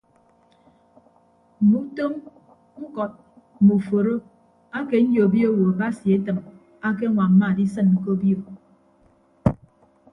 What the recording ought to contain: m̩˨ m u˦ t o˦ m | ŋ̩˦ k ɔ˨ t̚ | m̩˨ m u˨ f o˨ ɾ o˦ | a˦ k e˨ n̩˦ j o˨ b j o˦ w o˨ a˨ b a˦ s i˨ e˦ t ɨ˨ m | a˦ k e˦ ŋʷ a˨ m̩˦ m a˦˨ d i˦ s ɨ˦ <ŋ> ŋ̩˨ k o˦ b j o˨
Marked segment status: incorrect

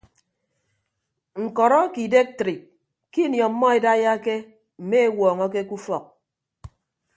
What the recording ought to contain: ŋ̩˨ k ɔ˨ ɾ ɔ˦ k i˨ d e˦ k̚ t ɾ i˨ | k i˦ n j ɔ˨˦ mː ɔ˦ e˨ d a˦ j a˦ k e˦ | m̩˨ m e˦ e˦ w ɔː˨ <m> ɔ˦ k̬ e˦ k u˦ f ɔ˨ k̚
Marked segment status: incorrect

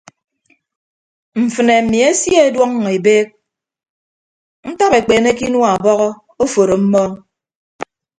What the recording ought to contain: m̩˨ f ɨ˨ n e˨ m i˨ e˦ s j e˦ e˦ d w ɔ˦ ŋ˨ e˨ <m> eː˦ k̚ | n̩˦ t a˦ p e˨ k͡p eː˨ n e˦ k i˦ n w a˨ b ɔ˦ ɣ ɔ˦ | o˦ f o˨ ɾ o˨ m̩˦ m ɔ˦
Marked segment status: incorrect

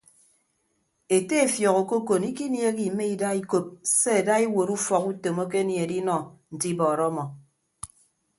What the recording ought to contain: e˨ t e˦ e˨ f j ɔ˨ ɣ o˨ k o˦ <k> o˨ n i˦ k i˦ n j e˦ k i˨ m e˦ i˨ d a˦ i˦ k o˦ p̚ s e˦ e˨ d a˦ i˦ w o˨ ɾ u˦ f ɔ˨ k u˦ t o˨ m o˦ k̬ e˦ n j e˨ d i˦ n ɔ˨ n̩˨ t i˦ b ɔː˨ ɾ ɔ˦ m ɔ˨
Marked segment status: correct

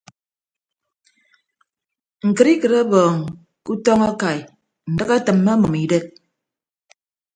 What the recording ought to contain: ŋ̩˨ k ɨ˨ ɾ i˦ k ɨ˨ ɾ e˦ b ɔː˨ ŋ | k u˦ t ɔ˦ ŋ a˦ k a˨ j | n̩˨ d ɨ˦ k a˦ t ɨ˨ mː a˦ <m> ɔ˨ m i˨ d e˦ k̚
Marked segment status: correct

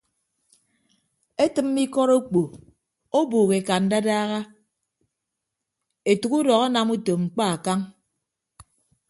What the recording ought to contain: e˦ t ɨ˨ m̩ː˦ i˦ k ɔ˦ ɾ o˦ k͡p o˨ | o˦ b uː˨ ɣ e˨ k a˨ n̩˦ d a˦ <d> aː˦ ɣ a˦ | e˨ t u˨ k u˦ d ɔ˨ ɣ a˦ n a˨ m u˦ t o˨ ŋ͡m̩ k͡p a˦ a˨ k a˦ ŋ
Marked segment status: correct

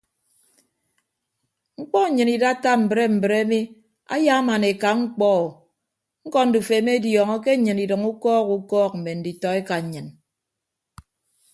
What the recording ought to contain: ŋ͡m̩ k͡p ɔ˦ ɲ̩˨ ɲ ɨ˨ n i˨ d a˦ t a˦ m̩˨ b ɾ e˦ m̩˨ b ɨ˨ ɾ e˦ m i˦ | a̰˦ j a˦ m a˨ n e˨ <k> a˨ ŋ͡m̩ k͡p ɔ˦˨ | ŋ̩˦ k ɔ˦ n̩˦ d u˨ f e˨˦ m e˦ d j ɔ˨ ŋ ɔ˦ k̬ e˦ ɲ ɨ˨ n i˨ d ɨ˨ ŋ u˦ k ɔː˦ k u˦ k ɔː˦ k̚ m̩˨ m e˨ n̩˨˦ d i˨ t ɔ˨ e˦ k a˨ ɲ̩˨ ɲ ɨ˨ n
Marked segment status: correct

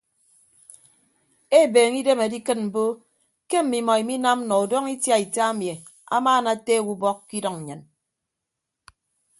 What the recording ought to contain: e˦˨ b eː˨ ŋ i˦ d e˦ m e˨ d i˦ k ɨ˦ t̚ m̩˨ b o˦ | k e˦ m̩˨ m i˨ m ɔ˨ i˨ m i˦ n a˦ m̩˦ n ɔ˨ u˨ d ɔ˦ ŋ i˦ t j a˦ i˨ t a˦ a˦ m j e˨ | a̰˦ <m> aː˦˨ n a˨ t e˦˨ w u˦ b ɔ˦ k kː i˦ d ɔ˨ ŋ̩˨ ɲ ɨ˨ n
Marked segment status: correct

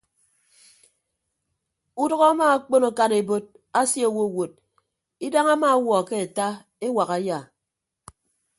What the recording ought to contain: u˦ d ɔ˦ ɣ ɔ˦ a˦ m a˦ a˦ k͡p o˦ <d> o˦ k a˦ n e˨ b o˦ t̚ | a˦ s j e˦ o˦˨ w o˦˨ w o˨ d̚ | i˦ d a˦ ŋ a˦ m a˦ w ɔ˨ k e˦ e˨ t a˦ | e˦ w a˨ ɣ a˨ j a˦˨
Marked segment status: incorrect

